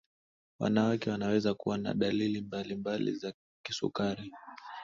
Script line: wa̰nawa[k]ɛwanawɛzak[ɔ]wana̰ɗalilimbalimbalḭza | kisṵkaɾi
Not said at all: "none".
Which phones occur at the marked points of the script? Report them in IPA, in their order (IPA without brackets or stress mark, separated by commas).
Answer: k, u